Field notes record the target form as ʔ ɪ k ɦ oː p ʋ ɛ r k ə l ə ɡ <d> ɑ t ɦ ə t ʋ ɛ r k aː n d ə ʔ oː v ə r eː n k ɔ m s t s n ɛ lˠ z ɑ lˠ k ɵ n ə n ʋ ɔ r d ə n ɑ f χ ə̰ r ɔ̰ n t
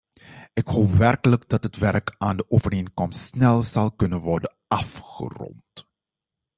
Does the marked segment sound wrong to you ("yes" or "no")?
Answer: no